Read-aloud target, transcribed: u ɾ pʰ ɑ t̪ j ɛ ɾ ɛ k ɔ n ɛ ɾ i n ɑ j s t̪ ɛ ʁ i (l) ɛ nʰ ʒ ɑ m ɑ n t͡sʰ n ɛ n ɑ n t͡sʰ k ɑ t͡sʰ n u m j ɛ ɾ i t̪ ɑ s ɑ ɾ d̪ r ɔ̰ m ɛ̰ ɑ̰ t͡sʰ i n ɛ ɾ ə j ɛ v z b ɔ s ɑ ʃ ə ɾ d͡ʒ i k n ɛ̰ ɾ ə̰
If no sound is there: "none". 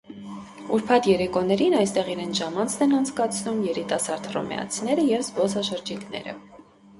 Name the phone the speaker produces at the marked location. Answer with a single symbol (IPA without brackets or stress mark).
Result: ɾ